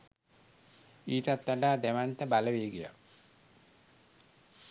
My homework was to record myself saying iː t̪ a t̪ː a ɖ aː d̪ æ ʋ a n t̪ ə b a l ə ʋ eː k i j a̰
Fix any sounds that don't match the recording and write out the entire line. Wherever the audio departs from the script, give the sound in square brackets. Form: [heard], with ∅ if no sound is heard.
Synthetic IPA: iː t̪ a t̪ː a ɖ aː d̪ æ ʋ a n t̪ ə b a l ə ʋ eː [ɡ] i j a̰